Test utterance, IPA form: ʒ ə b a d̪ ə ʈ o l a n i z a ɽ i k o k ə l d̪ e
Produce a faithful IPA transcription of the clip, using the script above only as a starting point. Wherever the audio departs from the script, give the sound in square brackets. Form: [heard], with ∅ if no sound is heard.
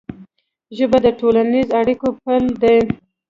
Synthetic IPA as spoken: ʒ ə b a d̪ ə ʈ o l a n i z a ɽ i k o [p] ə l d̪ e